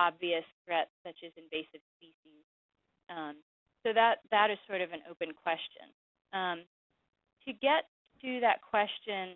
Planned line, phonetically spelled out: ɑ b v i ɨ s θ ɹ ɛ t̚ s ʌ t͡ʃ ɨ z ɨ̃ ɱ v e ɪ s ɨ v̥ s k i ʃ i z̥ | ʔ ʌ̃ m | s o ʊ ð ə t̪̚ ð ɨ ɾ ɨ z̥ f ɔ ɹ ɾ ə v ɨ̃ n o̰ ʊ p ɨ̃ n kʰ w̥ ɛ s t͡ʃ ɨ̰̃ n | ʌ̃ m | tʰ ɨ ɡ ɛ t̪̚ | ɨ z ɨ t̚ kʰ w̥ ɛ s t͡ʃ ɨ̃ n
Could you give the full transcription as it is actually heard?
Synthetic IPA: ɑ b v i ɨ s θ ɹ ɛ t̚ s ʌ t͡ʃ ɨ z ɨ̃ ɱ v e ɪ s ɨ v̥ s p i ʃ i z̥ | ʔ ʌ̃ m | s o ʊ ð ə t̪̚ ð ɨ ɾ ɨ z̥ s ɔ ɹ ɾ ʌ v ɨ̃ n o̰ ʊ p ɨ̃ n kʰ w̥ ɛ s t͡ʃ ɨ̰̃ n | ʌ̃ m | tʰ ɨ ɡ ɛ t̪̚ | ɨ ð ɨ t̚ kʰ w̥ ɛ s t͡ʃ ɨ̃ n